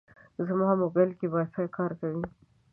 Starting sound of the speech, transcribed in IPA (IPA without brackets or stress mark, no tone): z